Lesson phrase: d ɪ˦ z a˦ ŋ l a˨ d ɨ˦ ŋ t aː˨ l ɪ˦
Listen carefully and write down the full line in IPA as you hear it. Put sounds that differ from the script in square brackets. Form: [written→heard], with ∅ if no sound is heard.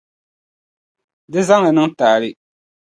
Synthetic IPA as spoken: d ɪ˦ z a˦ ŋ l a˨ [d→n] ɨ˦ ŋ t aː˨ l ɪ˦